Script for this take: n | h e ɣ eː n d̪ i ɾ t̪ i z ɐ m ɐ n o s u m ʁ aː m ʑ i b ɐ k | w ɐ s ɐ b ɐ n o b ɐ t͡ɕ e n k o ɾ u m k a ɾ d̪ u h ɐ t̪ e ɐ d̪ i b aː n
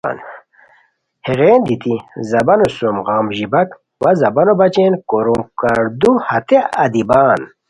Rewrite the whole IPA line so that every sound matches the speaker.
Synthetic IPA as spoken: n | h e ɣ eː n d̪ i t̪ i z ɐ b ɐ n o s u m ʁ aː m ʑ i b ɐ k | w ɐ z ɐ b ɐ n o b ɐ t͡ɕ e n k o ɾ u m k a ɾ d̪ u h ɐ t̪ e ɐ d̪ i b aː n